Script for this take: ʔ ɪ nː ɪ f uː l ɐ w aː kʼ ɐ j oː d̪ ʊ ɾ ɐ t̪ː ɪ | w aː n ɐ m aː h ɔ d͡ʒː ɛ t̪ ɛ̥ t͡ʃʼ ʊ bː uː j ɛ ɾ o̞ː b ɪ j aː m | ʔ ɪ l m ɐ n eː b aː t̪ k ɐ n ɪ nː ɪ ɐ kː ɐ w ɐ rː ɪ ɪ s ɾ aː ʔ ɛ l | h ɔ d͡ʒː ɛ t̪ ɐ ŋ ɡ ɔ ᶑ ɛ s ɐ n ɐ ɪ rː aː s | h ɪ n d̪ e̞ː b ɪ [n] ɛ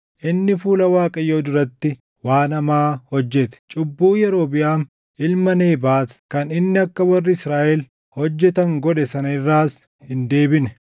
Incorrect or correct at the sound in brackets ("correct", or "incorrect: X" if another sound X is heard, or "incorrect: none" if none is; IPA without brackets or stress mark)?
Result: correct